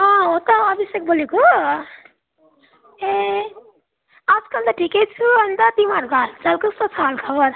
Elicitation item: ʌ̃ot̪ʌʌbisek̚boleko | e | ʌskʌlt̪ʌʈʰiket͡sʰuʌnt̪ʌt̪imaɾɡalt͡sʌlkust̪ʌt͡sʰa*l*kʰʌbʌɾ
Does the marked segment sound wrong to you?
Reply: no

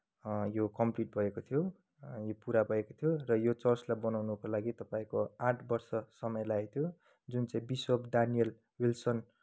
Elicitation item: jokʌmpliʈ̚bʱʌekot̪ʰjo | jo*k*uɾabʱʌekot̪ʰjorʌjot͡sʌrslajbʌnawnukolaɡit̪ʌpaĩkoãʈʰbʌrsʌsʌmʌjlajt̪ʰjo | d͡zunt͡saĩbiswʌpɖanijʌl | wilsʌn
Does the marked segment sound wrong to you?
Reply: yes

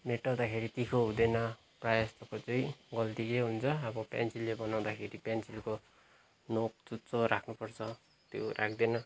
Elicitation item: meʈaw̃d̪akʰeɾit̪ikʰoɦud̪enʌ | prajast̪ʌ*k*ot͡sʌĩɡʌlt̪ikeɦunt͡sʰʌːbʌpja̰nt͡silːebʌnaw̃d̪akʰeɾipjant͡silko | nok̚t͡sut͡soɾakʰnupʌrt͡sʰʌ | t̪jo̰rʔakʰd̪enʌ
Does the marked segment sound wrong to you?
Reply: no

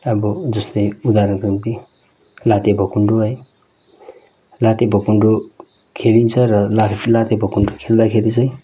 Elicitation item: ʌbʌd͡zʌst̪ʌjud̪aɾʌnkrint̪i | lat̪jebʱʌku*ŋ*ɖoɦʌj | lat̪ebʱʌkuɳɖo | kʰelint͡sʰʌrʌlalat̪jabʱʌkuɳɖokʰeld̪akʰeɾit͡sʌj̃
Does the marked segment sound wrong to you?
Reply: yes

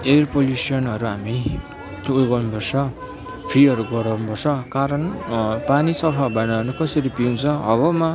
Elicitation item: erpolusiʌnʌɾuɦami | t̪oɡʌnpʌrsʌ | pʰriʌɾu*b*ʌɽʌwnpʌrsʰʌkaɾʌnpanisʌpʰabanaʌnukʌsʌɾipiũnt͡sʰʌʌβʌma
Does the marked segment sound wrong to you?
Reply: yes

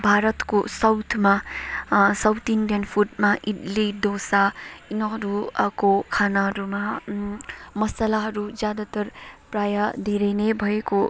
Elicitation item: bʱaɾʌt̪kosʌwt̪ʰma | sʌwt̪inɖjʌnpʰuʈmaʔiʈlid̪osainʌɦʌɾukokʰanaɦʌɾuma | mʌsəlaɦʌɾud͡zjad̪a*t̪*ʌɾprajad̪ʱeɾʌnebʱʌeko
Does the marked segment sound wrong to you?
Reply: no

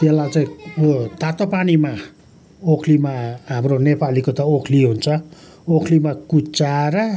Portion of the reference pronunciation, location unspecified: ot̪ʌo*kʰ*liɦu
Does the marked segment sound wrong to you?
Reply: no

